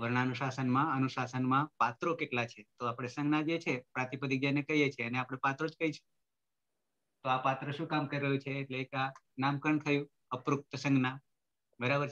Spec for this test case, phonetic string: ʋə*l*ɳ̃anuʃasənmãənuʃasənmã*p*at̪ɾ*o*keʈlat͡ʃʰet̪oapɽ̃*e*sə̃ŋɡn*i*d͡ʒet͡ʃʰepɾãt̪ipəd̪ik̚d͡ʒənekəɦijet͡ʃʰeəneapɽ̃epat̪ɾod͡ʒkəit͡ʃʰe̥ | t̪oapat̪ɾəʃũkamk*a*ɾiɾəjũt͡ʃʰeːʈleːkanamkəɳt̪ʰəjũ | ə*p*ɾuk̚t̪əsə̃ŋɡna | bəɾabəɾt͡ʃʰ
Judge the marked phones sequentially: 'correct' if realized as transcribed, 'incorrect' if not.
incorrect, correct, correct, correct, incorrect, incorrect, correct

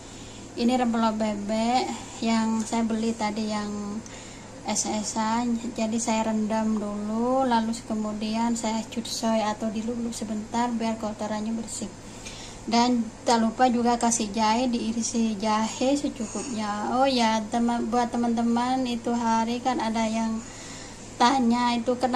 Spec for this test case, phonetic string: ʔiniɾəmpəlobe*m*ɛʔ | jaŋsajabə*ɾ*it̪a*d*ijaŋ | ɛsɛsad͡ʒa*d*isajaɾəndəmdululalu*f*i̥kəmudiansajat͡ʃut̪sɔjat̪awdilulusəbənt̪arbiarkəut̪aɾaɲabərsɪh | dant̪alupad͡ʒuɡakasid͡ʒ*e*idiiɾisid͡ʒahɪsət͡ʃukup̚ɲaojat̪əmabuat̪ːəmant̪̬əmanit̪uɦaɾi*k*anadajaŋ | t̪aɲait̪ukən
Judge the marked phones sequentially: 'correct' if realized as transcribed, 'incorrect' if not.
incorrect, incorrect, correct, correct, incorrect, incorrect, correct

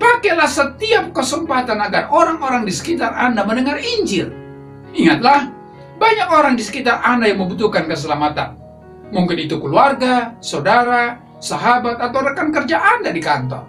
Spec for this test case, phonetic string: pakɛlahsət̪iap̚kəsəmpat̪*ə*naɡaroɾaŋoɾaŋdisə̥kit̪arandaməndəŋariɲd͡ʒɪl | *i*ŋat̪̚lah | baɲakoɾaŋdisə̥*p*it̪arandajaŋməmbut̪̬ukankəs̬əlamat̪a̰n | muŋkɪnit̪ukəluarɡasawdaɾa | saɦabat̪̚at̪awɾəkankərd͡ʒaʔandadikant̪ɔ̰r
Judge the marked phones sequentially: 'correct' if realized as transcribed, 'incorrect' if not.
incorrect, correct, incorrect

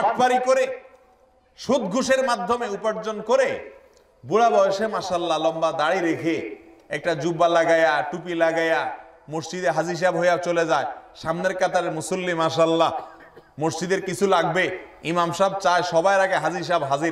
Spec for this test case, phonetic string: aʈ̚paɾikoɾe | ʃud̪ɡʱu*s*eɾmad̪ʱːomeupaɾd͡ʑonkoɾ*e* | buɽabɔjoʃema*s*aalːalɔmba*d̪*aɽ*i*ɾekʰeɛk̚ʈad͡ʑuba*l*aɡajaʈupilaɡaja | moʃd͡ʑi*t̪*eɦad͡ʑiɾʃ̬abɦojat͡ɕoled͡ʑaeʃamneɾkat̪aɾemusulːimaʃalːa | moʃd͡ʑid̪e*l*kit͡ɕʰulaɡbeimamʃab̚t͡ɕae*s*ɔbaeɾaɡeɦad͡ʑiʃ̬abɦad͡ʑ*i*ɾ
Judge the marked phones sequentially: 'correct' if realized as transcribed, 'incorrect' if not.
incorrect, correct, incorrect, correct, correct, correct, incorrect, incorrect, incorrect, correct

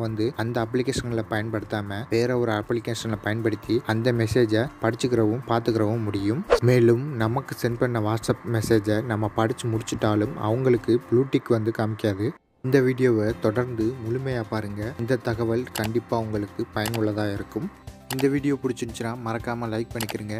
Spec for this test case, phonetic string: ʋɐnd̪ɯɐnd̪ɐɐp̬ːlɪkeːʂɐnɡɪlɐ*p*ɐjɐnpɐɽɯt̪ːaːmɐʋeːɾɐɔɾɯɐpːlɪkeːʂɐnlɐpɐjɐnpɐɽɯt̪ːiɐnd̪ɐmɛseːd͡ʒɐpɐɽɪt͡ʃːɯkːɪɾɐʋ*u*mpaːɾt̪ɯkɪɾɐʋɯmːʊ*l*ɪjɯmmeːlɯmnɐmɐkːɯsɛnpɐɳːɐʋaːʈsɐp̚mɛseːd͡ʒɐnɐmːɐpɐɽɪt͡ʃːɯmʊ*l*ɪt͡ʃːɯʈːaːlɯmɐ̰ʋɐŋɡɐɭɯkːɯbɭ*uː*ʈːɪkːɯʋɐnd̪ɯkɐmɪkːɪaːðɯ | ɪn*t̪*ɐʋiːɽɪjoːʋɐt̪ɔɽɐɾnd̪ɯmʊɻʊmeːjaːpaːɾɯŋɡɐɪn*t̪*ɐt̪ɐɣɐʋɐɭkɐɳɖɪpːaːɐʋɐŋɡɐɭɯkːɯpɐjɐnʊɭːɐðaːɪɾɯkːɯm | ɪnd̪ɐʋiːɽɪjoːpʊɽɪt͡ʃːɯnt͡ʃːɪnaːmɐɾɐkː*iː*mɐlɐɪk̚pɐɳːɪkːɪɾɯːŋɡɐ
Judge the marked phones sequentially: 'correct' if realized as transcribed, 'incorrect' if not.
correct, incorrect, incorrect, incorrect, correct, incorrect, incorrect, incorrect

